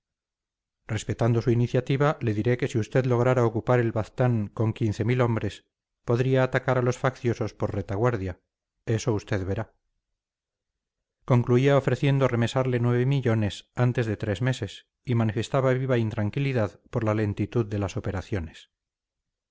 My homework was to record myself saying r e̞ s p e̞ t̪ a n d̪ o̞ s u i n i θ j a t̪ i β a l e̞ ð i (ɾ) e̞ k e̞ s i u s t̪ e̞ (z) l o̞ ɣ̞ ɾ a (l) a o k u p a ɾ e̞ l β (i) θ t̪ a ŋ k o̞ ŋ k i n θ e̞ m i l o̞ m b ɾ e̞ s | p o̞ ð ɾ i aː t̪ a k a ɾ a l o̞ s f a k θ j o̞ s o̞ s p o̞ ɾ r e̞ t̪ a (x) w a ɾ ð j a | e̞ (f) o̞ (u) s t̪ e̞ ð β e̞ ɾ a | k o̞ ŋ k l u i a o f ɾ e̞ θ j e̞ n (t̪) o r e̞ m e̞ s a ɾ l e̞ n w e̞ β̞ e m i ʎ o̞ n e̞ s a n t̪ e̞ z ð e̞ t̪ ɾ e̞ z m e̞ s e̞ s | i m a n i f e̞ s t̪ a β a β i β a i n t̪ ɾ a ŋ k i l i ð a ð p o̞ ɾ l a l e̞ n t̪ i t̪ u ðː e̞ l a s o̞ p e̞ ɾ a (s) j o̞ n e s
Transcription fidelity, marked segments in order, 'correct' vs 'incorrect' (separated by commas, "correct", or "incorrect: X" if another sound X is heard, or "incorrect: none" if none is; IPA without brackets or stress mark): correct, incorrect: ð, incorrect: ɾ, incorrect: a, incorrect: ɣ, incorrect: s, correct, incorrect: d̪, incorrect: θ